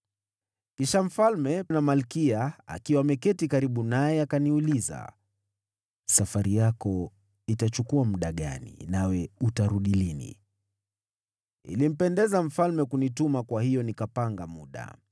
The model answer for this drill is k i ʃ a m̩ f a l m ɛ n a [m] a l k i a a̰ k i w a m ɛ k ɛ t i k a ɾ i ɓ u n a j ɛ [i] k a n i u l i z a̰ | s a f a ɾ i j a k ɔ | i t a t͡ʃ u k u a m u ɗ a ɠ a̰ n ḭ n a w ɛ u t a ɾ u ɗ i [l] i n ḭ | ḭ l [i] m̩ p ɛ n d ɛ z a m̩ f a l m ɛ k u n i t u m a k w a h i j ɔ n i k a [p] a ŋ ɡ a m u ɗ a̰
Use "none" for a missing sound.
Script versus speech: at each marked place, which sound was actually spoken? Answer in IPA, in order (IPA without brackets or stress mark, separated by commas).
m, a, l, i, p